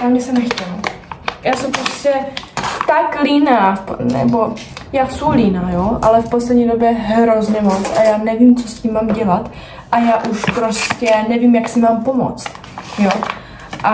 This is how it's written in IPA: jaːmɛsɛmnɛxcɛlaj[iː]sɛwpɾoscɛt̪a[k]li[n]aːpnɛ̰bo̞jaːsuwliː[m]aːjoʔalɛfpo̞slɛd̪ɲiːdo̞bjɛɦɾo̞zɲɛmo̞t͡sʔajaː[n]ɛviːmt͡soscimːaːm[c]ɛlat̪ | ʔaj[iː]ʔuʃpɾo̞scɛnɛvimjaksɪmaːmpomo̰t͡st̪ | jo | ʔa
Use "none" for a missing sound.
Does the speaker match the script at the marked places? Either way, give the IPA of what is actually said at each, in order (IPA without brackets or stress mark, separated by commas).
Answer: aː, k, n, n, n, ɟ, aː